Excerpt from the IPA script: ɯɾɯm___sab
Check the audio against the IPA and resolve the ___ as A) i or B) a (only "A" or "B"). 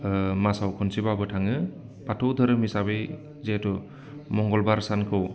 A